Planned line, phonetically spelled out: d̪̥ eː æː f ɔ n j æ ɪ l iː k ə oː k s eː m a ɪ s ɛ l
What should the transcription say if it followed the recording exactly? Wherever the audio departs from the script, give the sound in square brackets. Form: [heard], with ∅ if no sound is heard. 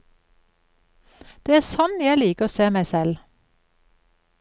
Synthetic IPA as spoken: d̪̥ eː æː [s] ɔ n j æ ɪ l iː k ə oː [∅] s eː m [æ] ɪ s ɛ l